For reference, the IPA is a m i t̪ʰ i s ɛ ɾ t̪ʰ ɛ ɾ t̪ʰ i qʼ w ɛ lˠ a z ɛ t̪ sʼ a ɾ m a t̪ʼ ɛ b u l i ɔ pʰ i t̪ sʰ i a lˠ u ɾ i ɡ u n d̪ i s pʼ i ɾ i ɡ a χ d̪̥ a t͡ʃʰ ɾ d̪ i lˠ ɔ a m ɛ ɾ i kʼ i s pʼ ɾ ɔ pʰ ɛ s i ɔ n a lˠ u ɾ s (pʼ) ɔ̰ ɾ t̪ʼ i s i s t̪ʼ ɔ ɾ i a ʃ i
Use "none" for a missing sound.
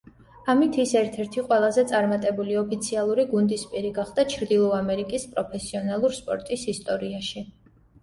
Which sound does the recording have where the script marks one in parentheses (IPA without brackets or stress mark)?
pʼ